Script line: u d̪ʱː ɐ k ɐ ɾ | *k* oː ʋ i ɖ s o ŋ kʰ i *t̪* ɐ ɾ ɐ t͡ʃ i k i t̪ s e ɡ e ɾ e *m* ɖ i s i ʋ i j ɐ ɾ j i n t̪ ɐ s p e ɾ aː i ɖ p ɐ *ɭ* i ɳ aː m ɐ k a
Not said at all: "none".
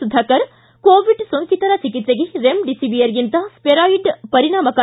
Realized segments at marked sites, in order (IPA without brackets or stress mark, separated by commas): k, t̪, m, ɾ